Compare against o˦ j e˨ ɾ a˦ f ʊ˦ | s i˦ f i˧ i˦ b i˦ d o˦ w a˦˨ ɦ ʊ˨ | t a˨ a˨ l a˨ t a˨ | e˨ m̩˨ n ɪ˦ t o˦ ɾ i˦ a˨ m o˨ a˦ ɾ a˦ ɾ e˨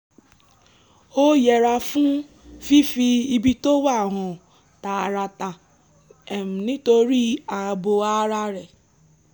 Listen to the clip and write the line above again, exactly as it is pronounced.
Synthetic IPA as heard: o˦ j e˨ ɾ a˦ f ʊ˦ | f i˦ f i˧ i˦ b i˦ t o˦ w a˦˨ ɦ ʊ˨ | t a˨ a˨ ɾ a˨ t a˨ | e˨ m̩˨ n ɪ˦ t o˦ ɾ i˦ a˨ b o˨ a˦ ɾ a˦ ɾ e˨